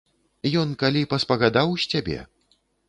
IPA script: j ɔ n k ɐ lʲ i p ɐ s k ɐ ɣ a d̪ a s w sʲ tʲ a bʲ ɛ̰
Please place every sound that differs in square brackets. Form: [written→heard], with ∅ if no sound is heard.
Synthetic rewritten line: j ɔ n k [ɐ→a] lʲ i p ɐ s [k→p] ɐ ɣ a d̪ a [s→∅] w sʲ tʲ a bʲ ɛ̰